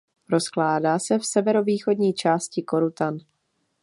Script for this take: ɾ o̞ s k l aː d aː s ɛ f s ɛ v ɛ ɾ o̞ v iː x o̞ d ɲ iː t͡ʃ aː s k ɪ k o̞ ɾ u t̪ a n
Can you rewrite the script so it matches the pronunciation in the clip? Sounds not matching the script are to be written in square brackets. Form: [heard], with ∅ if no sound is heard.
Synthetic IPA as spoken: ɾ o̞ s k l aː d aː s ɛ f s ɛ v ɛ ɾ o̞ v iː x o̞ d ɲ iː t͡ʃ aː s [c] ɪ k o̞ ɾ u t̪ a n